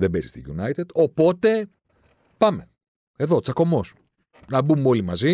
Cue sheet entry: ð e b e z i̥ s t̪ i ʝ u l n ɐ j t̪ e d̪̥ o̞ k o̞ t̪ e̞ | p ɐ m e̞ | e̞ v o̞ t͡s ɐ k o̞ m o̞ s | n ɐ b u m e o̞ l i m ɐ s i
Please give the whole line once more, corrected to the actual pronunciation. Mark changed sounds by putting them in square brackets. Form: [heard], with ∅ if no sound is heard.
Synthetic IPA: ð e b e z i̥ s t̪ i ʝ u [∅] n ɐ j t̪ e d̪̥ o̞ [p] o̞ t̪ e̞ | p ɐ m e̞ | e̞ [ð] o̞ t͡s ɐ k o̞ m o̞ s | n ɐ b u m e o̞ l i m ɐ [z] i